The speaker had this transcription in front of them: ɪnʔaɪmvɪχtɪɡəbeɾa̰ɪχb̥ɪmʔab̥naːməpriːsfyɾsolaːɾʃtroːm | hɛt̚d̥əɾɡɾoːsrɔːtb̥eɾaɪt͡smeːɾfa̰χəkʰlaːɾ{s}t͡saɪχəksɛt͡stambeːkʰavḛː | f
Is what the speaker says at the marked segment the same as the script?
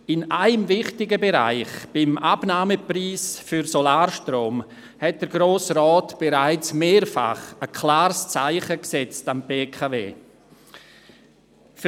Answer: yes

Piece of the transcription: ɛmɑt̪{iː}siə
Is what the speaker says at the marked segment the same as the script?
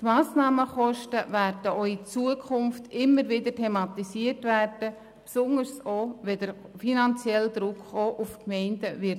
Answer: no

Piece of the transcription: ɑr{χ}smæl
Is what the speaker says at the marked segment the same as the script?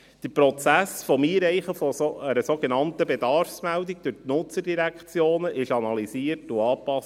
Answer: no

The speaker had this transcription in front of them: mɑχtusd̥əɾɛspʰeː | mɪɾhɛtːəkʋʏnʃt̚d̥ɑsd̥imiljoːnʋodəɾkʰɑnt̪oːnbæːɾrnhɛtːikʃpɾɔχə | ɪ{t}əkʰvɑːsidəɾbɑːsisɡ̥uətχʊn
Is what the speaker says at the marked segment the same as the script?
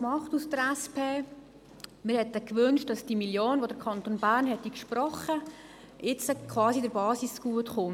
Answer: no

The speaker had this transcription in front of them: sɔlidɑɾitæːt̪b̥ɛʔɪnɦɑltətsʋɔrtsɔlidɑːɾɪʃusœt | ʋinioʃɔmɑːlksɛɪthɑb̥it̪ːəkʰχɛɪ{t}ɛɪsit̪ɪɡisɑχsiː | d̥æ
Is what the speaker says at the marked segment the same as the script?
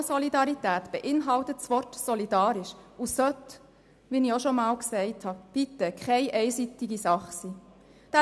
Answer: no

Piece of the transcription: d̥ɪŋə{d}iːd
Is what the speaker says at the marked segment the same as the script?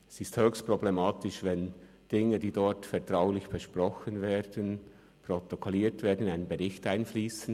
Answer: yes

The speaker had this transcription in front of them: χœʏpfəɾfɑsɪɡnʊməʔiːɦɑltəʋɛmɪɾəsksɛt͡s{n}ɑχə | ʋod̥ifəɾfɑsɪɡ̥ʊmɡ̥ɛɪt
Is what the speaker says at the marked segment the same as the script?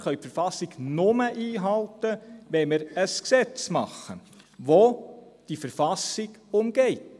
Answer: no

